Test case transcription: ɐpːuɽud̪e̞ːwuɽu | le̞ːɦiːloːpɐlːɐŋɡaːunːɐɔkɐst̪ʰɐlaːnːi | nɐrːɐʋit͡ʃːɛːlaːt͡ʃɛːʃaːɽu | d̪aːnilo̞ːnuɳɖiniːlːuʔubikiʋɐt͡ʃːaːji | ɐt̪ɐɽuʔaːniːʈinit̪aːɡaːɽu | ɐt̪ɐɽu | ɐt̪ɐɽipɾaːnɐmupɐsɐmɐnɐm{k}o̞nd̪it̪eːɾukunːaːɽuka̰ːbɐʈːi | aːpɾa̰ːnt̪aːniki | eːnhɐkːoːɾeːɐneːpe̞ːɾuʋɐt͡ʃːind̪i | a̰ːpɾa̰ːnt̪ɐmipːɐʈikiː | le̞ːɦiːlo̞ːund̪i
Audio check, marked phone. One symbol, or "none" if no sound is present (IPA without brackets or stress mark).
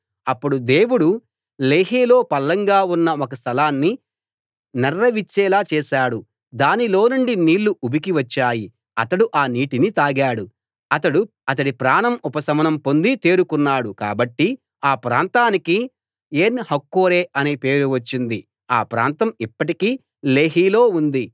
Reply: p